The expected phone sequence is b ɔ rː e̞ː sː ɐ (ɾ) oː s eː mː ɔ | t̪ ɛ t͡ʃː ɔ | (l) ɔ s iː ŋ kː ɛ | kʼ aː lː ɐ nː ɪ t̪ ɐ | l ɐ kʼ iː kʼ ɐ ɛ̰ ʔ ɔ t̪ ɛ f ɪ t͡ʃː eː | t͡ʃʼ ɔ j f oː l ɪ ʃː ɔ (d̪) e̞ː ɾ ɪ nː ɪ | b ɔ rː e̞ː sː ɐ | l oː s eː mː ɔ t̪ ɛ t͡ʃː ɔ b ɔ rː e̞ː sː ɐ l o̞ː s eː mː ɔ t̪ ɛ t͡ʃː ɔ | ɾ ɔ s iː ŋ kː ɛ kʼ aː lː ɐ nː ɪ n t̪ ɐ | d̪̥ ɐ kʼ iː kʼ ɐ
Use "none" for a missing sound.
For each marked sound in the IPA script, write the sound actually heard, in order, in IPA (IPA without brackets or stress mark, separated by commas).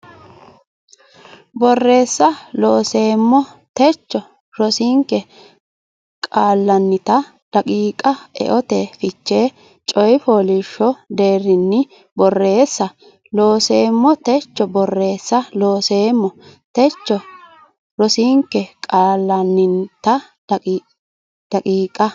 l, ɾ, d̪